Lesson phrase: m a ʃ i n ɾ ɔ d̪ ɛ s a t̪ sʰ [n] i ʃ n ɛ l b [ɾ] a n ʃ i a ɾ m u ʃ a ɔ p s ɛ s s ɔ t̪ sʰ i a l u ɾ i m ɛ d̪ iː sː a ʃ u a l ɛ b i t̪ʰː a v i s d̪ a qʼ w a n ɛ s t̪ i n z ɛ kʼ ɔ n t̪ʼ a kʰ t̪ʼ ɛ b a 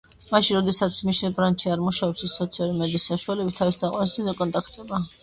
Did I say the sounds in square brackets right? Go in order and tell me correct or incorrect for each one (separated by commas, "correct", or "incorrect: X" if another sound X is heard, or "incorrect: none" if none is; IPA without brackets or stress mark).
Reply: incorrect: m, correct